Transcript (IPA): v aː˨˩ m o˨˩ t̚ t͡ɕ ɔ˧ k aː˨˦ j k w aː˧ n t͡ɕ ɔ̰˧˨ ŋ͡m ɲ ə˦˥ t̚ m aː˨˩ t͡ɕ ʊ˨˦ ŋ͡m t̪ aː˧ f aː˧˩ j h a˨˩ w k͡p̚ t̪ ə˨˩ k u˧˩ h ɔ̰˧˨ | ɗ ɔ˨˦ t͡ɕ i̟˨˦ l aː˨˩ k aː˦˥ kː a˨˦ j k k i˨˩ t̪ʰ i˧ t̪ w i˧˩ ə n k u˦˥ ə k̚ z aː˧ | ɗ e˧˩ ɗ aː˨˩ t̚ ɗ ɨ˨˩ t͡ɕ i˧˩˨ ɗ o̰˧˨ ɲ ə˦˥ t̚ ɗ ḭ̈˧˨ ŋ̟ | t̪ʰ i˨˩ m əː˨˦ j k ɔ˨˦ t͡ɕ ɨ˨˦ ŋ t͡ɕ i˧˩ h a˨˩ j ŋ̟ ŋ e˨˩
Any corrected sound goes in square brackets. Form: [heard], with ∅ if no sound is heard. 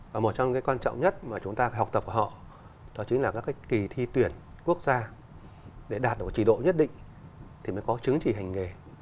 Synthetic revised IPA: v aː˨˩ m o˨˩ t̚ t͡ɕ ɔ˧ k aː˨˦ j k w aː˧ n t͡ɕ ɔ̰˧˨ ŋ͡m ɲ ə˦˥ t̚ m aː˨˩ t͡ɕ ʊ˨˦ ŋ͡m t̪ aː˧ f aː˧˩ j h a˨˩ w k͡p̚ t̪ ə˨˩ k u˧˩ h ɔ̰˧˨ | ɗ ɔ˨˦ t͡ɕ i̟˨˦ l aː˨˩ k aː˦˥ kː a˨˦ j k k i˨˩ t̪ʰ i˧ t̪ w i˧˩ ə n k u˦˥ ə k̚ z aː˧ | ɗ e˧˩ ɗ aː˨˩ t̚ ɗ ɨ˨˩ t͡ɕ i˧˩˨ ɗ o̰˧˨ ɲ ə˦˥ t̚ ɗ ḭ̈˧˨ ŋ̟ | t̪ʰ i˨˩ m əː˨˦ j k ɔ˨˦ t͡ɕ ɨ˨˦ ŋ t͡ɕ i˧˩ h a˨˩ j ŋ̟ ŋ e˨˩